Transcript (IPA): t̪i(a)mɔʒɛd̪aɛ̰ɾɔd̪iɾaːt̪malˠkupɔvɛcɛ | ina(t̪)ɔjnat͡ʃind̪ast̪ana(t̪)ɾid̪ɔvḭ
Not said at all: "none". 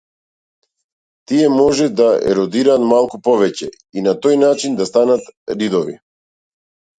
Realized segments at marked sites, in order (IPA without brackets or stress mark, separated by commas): ɛ, t̪, t̪